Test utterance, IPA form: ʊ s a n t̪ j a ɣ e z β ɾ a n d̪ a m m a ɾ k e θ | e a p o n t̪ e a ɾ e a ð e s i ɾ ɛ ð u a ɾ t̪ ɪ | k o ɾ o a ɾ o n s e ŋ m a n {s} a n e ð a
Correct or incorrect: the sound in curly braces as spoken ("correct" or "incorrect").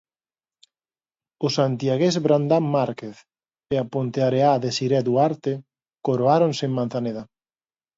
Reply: incorrect